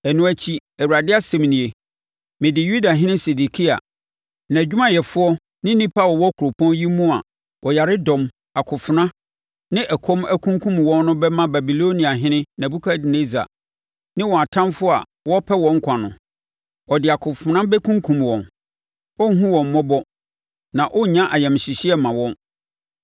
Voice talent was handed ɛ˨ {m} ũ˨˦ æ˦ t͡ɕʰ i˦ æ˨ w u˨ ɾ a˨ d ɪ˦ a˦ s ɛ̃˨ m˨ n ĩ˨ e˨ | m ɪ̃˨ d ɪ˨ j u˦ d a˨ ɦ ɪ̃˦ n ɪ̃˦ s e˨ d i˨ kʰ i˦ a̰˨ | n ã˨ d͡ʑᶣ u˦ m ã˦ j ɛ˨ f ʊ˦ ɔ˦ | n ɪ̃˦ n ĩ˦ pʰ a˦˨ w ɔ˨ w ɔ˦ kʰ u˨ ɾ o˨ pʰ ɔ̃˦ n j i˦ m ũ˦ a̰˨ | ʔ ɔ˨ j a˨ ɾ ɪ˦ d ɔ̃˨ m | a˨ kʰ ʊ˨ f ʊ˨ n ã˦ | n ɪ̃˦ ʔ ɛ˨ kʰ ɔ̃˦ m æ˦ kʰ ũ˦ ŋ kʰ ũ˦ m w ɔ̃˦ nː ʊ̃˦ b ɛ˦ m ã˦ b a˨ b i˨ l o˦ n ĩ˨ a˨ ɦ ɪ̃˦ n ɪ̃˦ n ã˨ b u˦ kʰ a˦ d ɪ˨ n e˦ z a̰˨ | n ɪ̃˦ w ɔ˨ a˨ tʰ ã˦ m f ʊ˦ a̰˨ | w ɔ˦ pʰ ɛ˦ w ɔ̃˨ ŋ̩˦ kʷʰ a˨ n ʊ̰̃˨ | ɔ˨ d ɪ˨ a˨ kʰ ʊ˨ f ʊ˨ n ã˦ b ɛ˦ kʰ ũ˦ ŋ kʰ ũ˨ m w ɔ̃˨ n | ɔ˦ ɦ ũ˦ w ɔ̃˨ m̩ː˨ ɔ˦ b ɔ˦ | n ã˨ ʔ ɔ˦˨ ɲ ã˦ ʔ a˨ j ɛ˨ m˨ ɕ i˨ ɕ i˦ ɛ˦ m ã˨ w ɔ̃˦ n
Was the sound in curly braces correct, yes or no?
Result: no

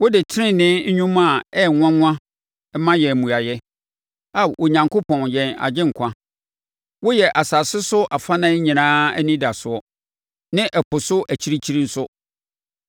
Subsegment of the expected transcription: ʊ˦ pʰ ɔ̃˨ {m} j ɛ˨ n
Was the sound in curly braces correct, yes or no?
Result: no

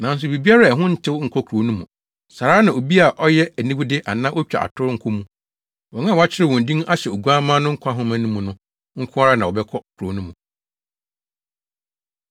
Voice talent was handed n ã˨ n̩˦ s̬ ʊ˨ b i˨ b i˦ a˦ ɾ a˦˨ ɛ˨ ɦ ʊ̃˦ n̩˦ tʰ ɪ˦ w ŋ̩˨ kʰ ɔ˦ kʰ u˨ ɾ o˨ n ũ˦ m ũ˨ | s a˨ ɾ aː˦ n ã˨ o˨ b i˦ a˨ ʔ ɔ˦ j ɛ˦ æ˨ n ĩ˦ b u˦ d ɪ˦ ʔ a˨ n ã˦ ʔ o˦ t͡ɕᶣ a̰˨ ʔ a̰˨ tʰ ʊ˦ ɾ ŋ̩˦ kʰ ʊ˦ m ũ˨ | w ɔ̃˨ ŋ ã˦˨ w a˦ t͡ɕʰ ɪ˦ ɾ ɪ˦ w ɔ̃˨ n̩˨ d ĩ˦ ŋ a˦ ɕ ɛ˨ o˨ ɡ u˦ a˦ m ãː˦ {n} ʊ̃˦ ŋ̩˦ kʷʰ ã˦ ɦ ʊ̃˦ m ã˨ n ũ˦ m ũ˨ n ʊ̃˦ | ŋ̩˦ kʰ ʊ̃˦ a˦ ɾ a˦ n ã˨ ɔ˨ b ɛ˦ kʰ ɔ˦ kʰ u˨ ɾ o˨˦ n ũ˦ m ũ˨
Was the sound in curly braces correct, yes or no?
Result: yes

